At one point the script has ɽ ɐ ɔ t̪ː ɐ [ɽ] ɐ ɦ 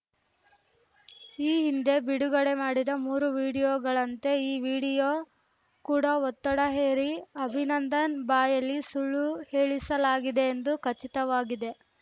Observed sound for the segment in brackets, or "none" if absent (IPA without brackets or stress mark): ɽ